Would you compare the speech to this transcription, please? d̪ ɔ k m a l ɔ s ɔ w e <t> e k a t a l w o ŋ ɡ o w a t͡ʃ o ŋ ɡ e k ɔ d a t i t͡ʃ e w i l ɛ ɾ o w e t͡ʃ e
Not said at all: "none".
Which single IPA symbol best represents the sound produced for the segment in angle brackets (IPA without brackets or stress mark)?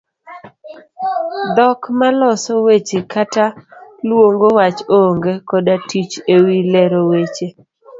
t͡ʃ